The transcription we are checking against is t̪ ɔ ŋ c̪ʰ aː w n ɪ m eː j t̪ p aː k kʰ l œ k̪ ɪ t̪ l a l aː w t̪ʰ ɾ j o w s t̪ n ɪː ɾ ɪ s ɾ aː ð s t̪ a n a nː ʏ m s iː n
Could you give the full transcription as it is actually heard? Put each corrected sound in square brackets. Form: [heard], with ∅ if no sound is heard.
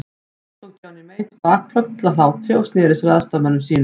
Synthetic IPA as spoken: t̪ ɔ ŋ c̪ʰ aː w n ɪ m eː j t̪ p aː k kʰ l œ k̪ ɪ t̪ l a l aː w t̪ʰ ɾ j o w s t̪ n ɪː ɾ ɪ s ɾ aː ð s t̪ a [m] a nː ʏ m s iː n

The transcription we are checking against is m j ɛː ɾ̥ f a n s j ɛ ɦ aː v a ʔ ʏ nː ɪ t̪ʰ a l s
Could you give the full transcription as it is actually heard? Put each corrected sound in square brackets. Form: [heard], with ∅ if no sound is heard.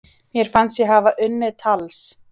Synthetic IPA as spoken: m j [ɛ] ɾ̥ f a n s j ɛ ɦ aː v a ʔ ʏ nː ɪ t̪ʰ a l s

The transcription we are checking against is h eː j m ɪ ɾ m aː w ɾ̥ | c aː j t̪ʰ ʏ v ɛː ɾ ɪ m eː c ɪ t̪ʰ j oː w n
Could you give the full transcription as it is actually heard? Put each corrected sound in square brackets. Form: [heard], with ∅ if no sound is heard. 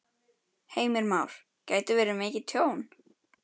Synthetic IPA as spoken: h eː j m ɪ ɾ m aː w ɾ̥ | c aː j [t̪] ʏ v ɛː ɾ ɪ m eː c ɪ t̪ʰ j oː w n

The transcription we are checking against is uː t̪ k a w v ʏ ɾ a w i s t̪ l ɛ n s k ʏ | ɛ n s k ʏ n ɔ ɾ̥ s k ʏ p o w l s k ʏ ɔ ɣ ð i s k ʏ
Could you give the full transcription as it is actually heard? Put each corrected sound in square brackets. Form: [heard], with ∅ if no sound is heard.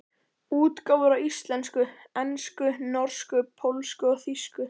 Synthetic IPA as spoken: uː t̪ k a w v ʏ ɾ a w i s t̪ l ɛ n s k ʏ | ɛ n s k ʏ n ɔ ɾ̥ s k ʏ [pʰ] o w l s k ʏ ɔ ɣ [θ] i s k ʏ

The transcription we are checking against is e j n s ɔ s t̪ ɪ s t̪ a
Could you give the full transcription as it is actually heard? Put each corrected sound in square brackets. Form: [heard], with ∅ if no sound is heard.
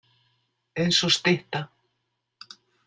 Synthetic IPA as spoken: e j n s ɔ s t̪ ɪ [h] t̪ a

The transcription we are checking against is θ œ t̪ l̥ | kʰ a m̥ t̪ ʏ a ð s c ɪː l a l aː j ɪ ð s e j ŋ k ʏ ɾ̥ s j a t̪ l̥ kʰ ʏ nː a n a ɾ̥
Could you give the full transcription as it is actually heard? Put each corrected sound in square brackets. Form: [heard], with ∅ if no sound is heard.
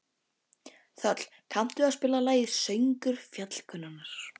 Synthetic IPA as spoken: θ œ t̪ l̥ | kʰ a m̥ t̪ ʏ a ð s [p] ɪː l a l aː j ɪ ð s e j ŋ k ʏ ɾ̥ [f] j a t̪ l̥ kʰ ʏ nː a n a ɾ̥

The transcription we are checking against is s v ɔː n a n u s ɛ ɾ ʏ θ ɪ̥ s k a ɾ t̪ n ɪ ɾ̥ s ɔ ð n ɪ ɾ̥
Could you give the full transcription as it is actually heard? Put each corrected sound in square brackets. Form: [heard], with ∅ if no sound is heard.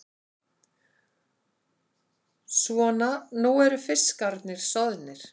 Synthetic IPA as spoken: s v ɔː n a n u [∅] ɛ ɾ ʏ [f] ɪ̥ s k a ɾ t̪ n ɪ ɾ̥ s ɔ ð n ɪ ɾ̥

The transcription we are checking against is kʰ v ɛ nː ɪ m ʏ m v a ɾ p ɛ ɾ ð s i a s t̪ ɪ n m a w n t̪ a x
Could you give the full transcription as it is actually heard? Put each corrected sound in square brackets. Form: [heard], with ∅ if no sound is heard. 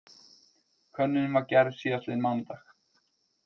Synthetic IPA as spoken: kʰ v [œ] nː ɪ [n] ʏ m v a ɾ [c] ɛ ɾ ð s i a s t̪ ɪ n m a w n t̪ a x

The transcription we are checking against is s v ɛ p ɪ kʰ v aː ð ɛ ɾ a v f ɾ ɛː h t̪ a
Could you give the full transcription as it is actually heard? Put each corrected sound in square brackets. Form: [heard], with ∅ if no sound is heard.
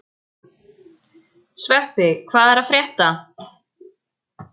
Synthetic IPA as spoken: s v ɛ p ɪ kʰ v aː ð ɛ ɾ a [ð] f ɾ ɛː h t̪ a

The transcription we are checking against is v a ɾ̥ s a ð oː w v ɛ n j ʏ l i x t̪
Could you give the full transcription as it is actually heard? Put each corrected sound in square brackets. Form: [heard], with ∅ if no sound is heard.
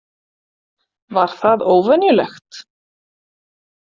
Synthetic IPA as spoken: v a ɾ̥ [θ] a ð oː w v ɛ n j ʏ l [ɛ] x t̪

